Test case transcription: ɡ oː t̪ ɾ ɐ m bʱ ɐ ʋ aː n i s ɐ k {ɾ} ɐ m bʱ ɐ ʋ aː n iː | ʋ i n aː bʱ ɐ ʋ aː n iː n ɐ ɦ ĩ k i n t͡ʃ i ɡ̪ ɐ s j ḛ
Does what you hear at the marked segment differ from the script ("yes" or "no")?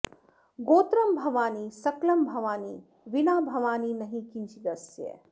yes